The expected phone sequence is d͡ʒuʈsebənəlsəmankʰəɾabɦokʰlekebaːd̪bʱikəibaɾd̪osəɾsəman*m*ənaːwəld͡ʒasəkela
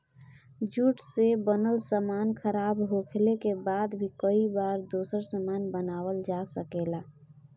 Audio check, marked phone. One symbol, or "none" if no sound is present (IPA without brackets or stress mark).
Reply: b